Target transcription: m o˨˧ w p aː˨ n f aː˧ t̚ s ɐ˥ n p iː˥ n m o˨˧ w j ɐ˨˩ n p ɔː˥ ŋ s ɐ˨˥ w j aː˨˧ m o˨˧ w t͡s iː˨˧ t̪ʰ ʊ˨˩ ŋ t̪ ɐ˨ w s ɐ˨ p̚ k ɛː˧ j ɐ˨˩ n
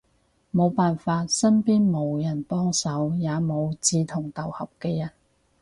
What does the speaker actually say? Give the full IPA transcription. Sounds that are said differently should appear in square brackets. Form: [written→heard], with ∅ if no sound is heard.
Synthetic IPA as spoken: m o˨˧ w p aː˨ n f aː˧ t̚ s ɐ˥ n p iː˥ n m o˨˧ w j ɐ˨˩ n p ɔː˥ ŋ s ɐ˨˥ w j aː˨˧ m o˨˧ w t͡s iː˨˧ t̪ʰ ʊ˨˩ ŋ t̪ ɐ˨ w [s→h] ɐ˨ p̚ k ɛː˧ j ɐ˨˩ n